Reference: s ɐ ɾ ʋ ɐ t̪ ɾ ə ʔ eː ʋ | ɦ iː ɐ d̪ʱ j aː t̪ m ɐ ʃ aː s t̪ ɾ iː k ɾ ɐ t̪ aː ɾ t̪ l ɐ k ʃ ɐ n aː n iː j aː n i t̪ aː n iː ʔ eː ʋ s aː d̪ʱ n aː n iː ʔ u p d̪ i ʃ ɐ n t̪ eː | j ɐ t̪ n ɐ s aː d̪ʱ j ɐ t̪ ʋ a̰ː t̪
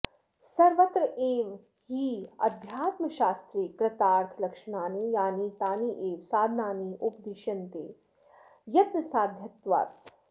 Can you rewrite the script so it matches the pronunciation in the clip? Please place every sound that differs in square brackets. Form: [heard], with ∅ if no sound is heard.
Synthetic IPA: s ɐ ɾ ʋ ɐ t̪ ɾ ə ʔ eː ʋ | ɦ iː ɐ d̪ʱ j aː t̪ m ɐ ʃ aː s t̪ ɾ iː k ɾ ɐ t̪ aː ɾ [t̪ʰ] l ɐ k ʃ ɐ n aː n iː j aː n i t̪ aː n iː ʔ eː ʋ s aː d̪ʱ n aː n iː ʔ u p d̪ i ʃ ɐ n t̪ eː | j ɐ t̪ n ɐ s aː d̪ʱ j ɐ t̪ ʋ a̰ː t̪

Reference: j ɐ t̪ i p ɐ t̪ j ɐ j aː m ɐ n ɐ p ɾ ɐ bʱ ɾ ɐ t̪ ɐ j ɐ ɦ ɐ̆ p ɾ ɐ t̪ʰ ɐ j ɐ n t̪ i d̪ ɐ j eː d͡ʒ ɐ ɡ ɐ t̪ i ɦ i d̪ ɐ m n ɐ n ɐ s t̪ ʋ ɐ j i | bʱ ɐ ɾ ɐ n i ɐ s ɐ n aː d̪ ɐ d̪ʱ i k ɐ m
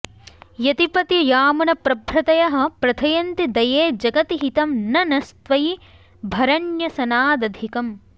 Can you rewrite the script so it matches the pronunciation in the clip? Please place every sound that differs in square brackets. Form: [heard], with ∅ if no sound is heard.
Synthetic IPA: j ɐ t̪ i p ɐ t̪ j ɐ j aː m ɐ n ɐ p ɾ ɐ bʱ ɾ ɐ t̪ ɐ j ɐ ɦ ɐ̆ p ɾ ɐ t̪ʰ ɐ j ɐ n t̪ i d̪ ɐ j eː d͡ʒ ɐ ɡ ɐ t̪ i ɦ i [t̪] ɐ m n ɐ n ɐ s t̪ ʋ ɐ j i | bʱ ɐ ɾ ɐ n [j] ɐ s ɐ n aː d̪ ɐ d̪ʱ i k ɐ m

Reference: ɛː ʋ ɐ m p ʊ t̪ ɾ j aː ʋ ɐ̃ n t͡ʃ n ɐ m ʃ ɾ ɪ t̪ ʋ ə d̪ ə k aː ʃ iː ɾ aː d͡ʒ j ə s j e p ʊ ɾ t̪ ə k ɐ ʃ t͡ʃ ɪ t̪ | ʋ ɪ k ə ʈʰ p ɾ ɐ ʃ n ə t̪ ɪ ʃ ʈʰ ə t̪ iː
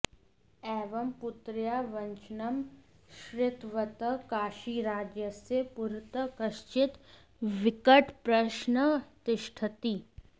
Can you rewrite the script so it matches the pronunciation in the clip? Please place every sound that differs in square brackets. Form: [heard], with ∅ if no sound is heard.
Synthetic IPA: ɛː ʋ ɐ m p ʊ t̪ ɾ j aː ʋ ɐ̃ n t͡ʃ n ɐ m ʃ ɾ ɪ t̪ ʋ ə [t̪] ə k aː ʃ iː ɾ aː d͡ʒ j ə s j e p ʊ ɾ t̪ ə k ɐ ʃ t͡ʃ ɪ t̪ | ʋ ɪ k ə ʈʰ p ɾ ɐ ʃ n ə t̪ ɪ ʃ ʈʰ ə t̪ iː

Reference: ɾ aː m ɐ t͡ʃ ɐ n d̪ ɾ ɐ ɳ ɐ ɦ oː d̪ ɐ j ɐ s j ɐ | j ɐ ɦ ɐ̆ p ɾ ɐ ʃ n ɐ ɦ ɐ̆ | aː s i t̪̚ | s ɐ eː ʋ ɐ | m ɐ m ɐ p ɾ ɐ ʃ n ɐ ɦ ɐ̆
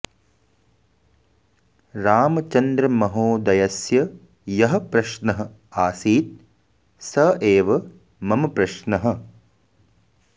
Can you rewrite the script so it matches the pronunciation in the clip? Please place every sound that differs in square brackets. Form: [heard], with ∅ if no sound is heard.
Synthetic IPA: ɾ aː m ɐ t͡ʃ ɐ n d̪ ɾ ɐ [m] ɐ ɦ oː d̪ ɐ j ɐ s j ɐ | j ɐ ɦ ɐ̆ p ɾ ɐ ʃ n ɐ ɦ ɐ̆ | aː s [iː] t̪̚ | s ɐ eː ʋ ɐ | m ɐ m ɐ p ɾ ɐ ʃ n ɐ ɦ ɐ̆

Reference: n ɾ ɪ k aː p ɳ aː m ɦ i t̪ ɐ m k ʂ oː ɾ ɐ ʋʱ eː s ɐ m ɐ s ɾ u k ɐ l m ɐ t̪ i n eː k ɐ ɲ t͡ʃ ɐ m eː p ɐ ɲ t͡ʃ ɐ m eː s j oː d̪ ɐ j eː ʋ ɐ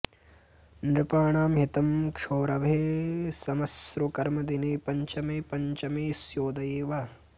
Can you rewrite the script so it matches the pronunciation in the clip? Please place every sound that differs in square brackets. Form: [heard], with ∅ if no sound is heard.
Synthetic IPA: n ɾ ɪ [p] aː [∅] ɳ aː m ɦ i t̪ ɐ m k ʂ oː ɾ ɐ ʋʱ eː s ɐ m ɐ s ɾ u k ɐ [ɾ] m ɐ [d̪] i n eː [p] ɐ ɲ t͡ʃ ɐ m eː p ɐ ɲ t͡ʃ ɐ m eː s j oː d̪ ɐ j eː ʋ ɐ

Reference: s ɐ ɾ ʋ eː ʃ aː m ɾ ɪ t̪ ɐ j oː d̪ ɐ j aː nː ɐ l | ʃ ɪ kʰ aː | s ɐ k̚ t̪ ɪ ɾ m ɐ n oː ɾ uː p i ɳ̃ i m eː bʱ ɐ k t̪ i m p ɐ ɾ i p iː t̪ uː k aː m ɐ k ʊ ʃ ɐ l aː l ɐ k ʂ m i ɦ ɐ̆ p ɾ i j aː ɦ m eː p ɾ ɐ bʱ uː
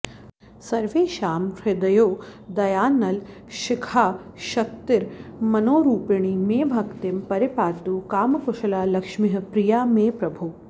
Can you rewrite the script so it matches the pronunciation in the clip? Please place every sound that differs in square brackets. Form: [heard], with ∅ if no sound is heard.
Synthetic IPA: s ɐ ɾ ʋ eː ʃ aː m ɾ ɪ [d̪] ɐ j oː d̪ ɐ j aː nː ɐ l | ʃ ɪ kʰ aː | [ʃ] ɐ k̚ t̪ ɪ ɾ m ɐ n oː ɾ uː p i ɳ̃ i m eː bʱ ɐ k t̪ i m p ɐ ɾ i p [aː] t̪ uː k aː m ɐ k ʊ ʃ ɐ l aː l ɐ k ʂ m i ɦ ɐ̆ p ɾ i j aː [∅] m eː p ɾ ɐ bʱ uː

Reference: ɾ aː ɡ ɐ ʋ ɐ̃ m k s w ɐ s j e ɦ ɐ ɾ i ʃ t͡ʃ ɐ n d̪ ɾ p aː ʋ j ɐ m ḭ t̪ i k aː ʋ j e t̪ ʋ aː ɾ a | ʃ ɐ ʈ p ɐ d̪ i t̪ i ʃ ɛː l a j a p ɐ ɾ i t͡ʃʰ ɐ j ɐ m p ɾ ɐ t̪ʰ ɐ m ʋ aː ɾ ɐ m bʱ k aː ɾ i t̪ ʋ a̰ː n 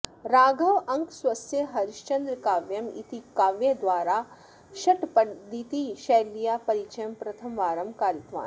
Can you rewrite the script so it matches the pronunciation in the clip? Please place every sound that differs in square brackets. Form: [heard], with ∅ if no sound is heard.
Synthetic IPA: ɾ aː ɡ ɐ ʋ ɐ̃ [ŋ] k s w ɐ s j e ɦ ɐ ɾ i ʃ t͡ʃ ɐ n d̪ ɾ [k] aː ʋ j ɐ m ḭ t̪ i k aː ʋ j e [d̪] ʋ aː ɾ a | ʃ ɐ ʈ p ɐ d̪ i t̪ i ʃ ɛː l [i] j a p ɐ ɾ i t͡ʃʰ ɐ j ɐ m p ɾ ɐ t̪ʰ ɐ m ʋ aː ɾ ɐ m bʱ k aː ɾ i t̪ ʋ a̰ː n

